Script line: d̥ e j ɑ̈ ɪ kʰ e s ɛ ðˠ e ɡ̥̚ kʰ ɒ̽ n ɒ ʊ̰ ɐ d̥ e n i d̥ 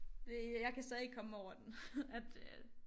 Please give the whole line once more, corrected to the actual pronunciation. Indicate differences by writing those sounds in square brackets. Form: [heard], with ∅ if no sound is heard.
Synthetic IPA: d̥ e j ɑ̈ ɪ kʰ [æ] s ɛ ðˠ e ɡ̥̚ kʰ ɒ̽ [m] ɒ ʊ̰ ɐ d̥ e n [æ] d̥